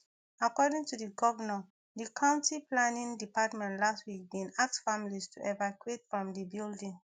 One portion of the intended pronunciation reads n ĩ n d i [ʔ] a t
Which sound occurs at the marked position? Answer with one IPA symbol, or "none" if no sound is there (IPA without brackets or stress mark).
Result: p